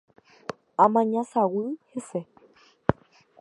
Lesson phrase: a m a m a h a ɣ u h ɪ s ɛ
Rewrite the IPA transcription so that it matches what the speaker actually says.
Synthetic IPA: a m a ɲ a s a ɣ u h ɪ s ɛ